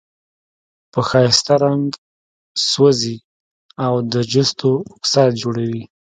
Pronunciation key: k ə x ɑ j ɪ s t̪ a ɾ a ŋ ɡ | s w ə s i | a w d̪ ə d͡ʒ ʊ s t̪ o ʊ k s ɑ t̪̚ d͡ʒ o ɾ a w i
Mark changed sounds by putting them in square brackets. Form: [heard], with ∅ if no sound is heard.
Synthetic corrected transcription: [p] ə x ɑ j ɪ s t̪ a ɾ a ŋ ɡ | s w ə [z] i | a w d̪ ə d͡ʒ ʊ s t̪ o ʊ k s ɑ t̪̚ d͡ʒ o [ɽ] a w i